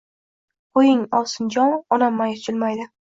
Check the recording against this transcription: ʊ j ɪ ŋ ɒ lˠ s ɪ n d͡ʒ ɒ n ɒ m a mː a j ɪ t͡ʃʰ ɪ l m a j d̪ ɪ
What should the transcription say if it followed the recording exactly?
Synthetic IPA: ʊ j ɪ ŋ ɒ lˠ s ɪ n d͡ʒ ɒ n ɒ n a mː a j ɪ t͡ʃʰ ɪ l m a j d̪ ɪ